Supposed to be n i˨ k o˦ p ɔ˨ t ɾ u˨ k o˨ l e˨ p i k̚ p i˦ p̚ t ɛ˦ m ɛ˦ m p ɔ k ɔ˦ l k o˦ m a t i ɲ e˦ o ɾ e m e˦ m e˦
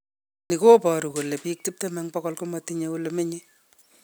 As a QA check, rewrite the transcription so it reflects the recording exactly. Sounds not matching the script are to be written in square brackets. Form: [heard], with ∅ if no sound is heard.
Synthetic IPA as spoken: n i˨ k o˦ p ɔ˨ [∅] ɾ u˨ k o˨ l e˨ p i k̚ [t] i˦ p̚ t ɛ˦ m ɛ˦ [ŋ] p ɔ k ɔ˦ l k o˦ m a t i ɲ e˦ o [l] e m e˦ [ɲ] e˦

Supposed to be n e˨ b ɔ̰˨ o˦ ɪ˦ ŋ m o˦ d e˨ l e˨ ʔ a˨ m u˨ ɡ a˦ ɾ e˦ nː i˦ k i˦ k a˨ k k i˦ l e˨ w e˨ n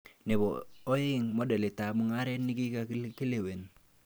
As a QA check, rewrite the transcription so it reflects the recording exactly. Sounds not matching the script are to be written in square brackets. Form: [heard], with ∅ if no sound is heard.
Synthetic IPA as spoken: n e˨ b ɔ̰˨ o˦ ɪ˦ ŋ m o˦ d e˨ l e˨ [t] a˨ m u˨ [ŋ] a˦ ɾ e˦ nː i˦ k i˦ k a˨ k k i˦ l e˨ w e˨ n

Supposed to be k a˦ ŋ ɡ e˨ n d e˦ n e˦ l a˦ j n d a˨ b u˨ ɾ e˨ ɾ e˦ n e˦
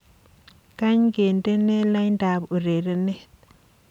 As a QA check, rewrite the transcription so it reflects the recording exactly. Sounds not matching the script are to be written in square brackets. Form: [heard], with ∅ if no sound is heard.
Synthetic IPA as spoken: k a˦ [ɲ] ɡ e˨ n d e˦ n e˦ l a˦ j n d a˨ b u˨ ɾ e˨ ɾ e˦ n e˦

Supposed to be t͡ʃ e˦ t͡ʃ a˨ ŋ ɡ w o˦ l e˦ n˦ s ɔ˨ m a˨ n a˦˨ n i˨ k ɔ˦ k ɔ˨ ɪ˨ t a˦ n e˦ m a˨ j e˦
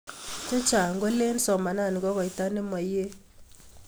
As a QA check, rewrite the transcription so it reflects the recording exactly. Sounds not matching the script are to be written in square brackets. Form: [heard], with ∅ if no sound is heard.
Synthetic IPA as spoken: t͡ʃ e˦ t͡ʃ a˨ ŋ ɡ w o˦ l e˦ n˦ s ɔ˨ m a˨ n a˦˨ n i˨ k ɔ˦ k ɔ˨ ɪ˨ t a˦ n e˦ m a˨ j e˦

